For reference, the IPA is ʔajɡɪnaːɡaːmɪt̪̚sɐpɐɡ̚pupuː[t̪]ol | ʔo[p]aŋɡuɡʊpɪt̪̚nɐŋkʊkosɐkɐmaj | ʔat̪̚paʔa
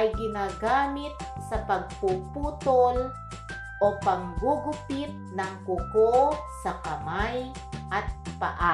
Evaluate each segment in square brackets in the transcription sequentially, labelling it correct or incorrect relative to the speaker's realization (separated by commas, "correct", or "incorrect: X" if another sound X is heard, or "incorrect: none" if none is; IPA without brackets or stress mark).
correct, correct